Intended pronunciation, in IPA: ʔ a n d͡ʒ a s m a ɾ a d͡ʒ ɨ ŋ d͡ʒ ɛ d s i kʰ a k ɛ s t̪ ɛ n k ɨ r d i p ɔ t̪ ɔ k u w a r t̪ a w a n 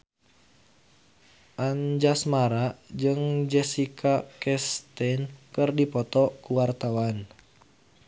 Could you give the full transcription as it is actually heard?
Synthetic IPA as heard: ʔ a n d͡ʒ a s m a ɾ a d͡ʒ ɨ ŋ d͡ʒ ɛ s i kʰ a k ɛ s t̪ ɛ n k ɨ r d i p ɔ t̪ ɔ k u w a r t̪ a w a n